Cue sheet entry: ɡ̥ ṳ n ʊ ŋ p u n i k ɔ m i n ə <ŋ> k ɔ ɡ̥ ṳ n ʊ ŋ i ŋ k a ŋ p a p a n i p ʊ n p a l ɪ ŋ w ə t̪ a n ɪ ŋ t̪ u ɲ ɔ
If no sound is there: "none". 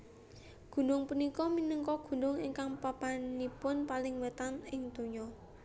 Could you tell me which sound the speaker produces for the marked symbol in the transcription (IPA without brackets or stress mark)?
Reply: ŋ